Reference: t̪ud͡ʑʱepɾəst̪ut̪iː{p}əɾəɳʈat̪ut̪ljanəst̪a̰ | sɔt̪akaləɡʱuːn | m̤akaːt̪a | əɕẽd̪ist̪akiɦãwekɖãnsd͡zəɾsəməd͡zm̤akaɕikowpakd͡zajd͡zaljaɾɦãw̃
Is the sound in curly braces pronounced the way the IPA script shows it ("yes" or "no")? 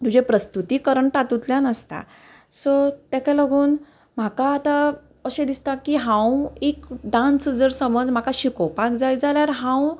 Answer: no